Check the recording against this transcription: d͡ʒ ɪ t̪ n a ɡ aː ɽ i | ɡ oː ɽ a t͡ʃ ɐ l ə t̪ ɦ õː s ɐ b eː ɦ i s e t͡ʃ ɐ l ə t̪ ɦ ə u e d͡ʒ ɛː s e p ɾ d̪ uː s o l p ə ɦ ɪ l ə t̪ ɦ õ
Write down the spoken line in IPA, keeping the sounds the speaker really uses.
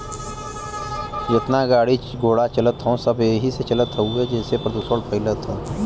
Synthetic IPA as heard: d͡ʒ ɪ t̪ n a ɡ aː ɽ i | ɡ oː ɽ a t͡ʃ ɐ l ə t̪ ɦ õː s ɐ b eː ɦ i s e t͡ʃ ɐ l ə t̪ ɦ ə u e d͡ʒ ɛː s e p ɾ d̪ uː s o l p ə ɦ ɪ l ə t̪ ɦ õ